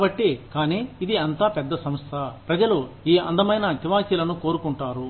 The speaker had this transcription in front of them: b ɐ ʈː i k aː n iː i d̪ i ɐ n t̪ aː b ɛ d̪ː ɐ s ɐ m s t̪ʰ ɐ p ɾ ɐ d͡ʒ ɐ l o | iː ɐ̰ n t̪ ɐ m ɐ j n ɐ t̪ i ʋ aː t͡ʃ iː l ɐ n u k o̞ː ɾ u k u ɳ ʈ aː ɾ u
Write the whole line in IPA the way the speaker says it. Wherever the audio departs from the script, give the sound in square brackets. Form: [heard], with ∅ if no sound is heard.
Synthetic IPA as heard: b ɐ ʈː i k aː n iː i d̪ i ɐ n t̪ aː [p] ɛ d̪ː ɐ s ɐ m s t̪ʰ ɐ p ɾ ɐ d͡ʒ ɐ l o | iː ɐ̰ n [d̪] ɐ m ɐ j n ɐ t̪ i ʋ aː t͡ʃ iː l ɐ n u k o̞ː ɾ u k u ɳ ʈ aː ɾ u